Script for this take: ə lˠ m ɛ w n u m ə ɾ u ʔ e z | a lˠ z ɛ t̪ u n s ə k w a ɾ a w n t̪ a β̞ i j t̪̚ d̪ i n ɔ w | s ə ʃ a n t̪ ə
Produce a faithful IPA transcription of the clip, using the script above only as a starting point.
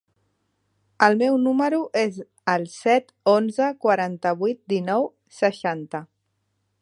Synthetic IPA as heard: ə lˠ m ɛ w n u m ə ɾ u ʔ e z | ə lˠ s ɛ t̪ o n z ə k w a ɾ a n t̪ ə β̞ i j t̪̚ d̪ i n ɔ w | s ə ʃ a n t̪ ə